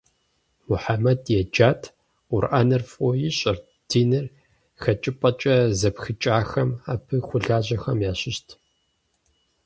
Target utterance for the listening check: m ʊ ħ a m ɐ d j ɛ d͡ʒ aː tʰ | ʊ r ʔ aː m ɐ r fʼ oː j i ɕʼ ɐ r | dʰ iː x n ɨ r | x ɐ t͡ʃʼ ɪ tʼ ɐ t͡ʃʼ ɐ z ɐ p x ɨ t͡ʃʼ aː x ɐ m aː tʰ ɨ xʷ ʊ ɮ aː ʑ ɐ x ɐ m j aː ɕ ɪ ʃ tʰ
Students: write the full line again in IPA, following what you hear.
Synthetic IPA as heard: m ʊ ħ a m ɐ d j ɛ d͡ʒ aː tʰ | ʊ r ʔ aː n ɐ r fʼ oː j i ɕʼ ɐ r | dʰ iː n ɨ r | x ɐ t͡ʃʼ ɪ pʼ ɐ t͡ʃʼ ɐ z ɐ p x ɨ t͡ʃʼ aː x ɐ m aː pʰ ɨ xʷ ʊ ɮ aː ʑ ɐ x ɐ m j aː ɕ ɪ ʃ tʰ